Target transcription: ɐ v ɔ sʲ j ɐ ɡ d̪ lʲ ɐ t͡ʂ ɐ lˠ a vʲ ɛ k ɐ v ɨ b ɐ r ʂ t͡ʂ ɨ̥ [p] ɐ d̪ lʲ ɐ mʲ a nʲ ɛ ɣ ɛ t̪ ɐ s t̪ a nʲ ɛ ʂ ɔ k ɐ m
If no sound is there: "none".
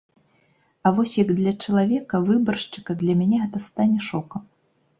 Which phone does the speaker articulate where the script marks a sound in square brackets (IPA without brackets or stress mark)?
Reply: k